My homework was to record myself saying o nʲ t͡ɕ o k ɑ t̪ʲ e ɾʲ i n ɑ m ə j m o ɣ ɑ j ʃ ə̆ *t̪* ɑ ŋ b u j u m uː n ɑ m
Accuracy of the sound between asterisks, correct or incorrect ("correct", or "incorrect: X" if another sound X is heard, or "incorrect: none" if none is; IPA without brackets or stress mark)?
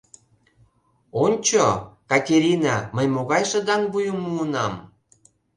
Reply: incorrect: d̪